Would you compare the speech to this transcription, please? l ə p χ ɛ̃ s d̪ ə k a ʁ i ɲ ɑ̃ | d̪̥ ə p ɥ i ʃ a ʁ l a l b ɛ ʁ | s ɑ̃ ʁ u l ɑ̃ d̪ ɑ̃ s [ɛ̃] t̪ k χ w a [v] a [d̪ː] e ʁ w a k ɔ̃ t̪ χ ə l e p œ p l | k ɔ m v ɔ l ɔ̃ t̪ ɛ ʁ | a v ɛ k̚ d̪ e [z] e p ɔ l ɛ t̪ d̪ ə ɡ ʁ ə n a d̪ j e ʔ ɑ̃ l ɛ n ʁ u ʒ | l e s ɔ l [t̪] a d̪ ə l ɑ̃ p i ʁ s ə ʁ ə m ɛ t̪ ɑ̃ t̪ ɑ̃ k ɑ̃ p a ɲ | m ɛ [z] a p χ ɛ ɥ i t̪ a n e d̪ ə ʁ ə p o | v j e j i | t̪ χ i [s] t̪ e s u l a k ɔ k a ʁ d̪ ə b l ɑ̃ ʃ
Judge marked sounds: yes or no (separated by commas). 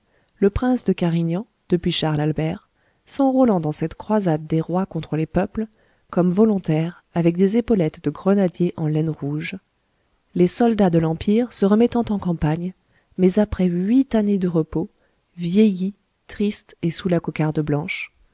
no, no, yes, yes, no, yes, yes